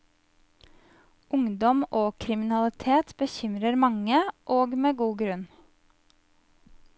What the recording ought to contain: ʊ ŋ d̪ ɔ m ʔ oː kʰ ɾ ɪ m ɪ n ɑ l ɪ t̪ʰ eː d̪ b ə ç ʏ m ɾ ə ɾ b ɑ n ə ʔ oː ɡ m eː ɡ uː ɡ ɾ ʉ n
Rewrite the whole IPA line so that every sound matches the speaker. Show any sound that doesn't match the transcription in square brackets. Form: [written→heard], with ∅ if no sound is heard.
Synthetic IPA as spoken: ʊ ŋ d̪ ɔ m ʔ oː kʰ ɾ ɪ m ɪ n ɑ l ɪ t̪ʰ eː [d̪→t̪] b ə ç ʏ m ɾ ə ɾ [b→m] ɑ [n→ŋ] ə ʔ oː ɡ m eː ɡ uː ɡ ɾ ʉ n